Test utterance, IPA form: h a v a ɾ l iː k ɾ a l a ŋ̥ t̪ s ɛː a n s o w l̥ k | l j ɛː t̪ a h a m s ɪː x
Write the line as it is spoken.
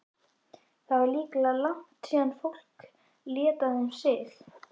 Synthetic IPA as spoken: θ a v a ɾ l iː k l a l a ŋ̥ t̪ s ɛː a n f o w l̥ k | l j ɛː t̪ a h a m s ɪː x